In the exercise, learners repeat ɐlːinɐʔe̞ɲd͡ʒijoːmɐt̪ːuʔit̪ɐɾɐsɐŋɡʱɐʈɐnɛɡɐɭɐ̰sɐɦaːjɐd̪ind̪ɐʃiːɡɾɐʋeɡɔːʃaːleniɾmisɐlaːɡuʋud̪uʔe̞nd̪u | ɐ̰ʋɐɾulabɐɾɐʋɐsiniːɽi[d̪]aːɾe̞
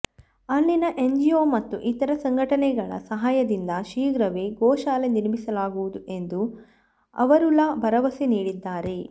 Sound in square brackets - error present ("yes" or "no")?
yes